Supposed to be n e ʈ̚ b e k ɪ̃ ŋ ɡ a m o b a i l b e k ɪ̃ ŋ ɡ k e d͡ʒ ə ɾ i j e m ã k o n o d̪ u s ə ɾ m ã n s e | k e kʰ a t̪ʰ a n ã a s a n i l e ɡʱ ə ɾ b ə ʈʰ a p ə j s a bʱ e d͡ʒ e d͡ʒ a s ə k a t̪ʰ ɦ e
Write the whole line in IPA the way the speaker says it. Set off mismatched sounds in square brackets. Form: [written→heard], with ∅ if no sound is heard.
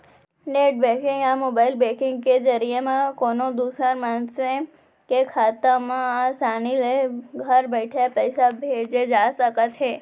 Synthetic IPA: n e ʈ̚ b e k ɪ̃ ŋ ɡ a m o b a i l b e k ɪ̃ ŋ ɡ k e d͡ʒ ə ɾ i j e m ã k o n o d̪ u s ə ɾ m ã n s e | k e kʰ a [t̪ʰ→t̪] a [n→m] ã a s a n i l e ɡʱ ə ɾ b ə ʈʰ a p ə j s a bʱ e d͡ʒ e d͡ʒ a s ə k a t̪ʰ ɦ e

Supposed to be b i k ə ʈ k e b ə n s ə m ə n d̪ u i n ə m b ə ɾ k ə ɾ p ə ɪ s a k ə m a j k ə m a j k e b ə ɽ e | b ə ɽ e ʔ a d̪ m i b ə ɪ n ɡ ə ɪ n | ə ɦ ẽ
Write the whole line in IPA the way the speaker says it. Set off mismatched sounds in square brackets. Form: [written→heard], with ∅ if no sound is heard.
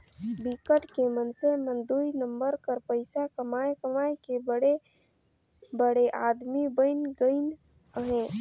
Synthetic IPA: b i k ə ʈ k e [b→m] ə n s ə m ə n d̪ u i n ə m b ə ɾ k ə ɾ p ə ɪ s a k ə m a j k ə m a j k e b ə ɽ e | b ə ɽ e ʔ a d̪ m i b ə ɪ n ɡ ə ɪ n | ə ɦ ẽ

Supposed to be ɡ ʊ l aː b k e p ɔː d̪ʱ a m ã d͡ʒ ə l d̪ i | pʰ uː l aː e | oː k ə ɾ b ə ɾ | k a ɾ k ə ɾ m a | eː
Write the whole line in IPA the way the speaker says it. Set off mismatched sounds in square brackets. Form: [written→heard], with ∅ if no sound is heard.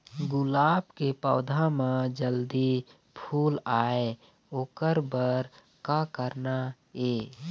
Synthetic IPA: ɡ ʊ l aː b k e p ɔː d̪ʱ a m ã d͡ʒ ə l d̪ i | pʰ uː l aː e | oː k ə ɾ b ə ɾ | k a [ɾ→∅] k ə ɾ [m→n] a | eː

